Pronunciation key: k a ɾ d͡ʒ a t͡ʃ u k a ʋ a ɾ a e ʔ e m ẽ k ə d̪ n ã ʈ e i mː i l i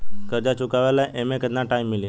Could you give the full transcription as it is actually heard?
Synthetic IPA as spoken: k ə ɾ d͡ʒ a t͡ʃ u k a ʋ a l a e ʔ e m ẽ k ə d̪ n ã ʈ a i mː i l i